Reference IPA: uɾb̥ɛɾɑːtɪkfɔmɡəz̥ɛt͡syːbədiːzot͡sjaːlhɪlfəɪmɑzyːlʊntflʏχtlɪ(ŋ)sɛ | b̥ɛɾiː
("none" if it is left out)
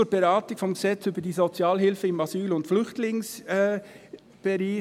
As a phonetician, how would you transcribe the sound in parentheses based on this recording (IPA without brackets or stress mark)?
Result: ŋ